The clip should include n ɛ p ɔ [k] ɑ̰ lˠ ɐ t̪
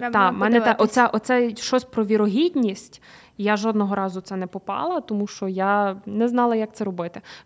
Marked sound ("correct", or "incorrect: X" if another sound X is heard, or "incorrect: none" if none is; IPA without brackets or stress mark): incorrect: p